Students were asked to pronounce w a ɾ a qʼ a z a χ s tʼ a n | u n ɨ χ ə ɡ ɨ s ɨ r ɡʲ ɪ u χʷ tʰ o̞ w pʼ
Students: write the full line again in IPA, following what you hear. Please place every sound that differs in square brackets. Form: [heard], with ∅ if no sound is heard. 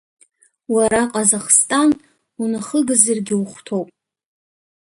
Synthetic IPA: w a ɾ a qʼ a z a χ s tʼ a n | u n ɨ χ ə ɡ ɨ [z] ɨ r ɡʲ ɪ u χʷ tʰ o̞ w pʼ